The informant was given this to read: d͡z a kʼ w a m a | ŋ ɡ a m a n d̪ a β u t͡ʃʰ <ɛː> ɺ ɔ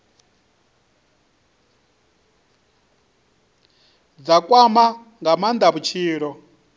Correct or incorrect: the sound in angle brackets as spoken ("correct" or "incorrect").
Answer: incorrect